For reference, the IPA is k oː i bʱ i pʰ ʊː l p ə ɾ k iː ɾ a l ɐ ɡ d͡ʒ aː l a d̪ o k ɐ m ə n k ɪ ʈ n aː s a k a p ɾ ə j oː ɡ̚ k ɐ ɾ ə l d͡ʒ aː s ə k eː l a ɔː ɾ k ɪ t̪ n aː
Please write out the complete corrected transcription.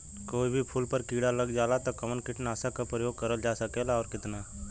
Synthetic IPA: k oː i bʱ i pʰ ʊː l p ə ɾ k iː ɽ a l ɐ ɡ d͡ʒ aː l a t̪ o k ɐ m ə n k ɪ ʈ n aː s a k a p ɾ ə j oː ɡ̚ k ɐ ɾ ə l d͡ʒ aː s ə k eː l a ɔː ɾ k ɪ t̪ n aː